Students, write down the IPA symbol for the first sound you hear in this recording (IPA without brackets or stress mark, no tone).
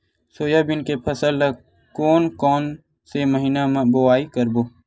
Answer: s